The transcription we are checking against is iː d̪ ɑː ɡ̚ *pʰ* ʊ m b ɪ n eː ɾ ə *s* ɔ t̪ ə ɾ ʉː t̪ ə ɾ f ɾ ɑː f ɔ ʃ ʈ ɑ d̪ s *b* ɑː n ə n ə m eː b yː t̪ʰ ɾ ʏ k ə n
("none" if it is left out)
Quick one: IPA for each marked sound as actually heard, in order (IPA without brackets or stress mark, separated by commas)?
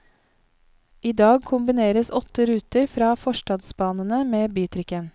kʰ, s, b